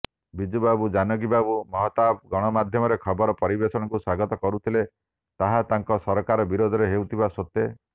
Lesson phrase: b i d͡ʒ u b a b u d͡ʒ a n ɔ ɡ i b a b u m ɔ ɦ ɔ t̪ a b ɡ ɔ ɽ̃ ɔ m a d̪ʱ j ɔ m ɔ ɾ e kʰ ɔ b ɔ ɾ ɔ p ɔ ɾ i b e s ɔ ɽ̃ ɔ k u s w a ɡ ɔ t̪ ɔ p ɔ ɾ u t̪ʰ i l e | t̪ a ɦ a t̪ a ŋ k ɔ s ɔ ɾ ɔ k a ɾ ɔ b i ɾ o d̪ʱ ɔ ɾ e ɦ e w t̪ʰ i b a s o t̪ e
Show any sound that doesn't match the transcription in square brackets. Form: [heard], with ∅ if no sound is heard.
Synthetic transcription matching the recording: b i d͡ʒ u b a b u d͡ʒ a n ɔ ɡ i b a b u m ɔ ɦ ɔ t̪ a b ɡ ɔ ɽ̃ ɔ m a d̪ʱ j ɔ m ɔ ɾ e kʰ ɔ b ɔ ɾ ɔ p ɔ ɾ i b e s ɔ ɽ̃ ɔ k u s w a ɡ ɔ t̪ ɔ [k] ɔ ɾ u t̪ʰ i l e | t̪ a ɦ a t̪ a ŋ k ɔ s ɔ ɾ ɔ k a ɾ ɔ b i ɾ o d̪ʱ ɔ ɾ e ɦ e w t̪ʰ i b a s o t̪ e